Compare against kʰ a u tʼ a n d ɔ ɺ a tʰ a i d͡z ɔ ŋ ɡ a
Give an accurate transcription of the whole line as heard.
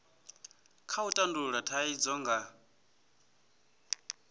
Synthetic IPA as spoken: kʰ a u tʼ a n d u ɺ a tʰ a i d͡z ɔ ŋ ɡ a

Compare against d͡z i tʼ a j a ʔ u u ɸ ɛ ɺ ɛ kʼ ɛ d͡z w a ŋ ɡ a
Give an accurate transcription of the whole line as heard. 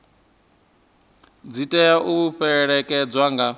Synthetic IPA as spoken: d͡z i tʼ ɛ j a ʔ u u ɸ ɛ ɺ ɛ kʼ ɛ d͡z w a ŋ ɡ a

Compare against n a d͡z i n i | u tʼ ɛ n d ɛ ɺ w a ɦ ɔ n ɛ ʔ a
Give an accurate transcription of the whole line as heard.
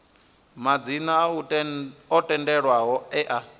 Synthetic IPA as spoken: m a d͡z i n a | ɔ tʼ ɛ n d ɛ ɺ w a ɦ ɔ ɛ ʔ a

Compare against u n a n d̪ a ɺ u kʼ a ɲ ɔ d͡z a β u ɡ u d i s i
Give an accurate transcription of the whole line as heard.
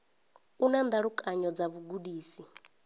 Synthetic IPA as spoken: u n a n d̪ a ɺ u kʼ a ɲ ɔ d͡z a β u ɡ u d iː s i

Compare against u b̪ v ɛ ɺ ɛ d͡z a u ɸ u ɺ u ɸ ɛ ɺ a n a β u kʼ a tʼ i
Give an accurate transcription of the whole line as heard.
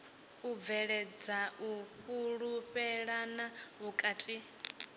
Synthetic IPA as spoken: u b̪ v ɛ ɺ ɛ d͡z a u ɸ u ɺ u ɸ ɛ ɺ a n a β u kʼ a tʼ i

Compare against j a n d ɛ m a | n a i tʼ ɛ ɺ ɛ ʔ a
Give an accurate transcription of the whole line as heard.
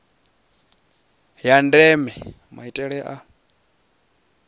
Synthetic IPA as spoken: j a n d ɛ m ɛ | m a i tʼ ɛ ɺ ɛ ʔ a

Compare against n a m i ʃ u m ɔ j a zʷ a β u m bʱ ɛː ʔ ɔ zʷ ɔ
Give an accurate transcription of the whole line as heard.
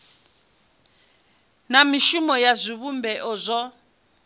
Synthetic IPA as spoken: n a m i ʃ u m ɔ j a zʷ i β u m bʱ ɛ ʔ ɔ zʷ ɔ

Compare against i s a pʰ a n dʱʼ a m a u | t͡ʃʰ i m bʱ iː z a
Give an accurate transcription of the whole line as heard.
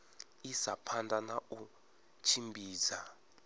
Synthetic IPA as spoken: i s a pʰ a n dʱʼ a n a u | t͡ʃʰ i m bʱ iː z a

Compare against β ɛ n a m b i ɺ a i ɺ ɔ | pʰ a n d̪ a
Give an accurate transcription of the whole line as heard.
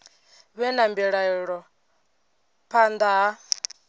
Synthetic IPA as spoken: β ɛ n a m b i ɺ a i ɺ ɔ | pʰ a n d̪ a

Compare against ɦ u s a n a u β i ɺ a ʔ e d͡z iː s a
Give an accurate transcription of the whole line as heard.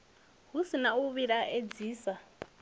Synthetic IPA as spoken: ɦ u s i n a u β i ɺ a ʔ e d͡z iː s a

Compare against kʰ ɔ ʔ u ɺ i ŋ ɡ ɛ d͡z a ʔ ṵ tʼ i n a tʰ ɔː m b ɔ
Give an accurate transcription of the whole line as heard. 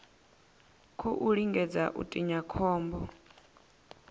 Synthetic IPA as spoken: kʰ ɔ ʔ u ɺ i ŋ ɡ ɛ d͡z a ʔ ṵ tʼ i ɲ a kʰ ɔː m b ɔ

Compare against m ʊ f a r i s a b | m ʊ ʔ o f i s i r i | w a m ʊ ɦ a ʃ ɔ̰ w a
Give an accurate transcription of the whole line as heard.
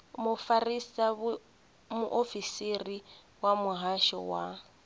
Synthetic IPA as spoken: m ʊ f a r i s a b | m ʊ ʔ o f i s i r i | w a m ʊ ɦ a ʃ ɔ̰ w a

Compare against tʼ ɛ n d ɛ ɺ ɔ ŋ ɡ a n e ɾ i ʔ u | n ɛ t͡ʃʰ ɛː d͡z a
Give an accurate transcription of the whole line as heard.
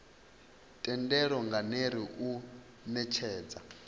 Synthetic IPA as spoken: tʼ ɛ n d ɛ ɺ ɔ ŋ ɡ a n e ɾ i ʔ u | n ɛ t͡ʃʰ ɛː d͡z a

